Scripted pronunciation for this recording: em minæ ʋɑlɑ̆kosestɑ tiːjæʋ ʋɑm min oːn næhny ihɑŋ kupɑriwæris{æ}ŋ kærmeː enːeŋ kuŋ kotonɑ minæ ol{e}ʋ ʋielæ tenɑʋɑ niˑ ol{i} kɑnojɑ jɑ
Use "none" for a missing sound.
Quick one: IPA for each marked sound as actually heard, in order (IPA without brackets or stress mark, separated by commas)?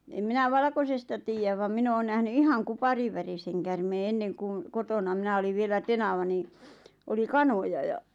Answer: e, i, i